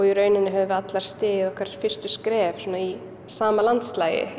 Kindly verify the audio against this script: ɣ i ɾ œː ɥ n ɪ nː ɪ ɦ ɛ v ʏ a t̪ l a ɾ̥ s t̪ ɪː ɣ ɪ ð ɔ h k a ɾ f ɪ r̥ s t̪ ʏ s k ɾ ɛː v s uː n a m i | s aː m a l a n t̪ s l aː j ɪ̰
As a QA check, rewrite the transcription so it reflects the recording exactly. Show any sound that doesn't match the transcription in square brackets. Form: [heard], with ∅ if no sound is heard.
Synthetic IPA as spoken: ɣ i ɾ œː ɥ n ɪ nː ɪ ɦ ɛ v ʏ a t̪ l a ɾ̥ s t̪ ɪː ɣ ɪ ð ɔ h k a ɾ f ɪ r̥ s t̪ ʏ s k ɾ ɛː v s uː n a [∅] i | s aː m a l a n t̪ s l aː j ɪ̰